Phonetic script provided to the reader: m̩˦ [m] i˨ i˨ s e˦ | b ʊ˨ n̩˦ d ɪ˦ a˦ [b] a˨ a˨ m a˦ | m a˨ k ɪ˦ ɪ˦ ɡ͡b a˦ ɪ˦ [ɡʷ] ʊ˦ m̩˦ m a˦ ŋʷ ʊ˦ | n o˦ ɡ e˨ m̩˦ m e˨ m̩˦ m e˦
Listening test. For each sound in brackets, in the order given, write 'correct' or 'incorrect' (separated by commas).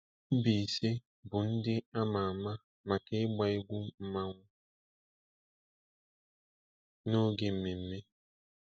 incorrect, incorrect, correct